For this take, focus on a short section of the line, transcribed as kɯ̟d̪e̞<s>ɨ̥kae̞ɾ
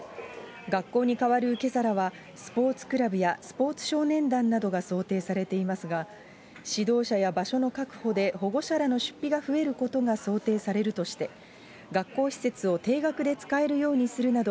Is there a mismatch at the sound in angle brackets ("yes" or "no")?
yes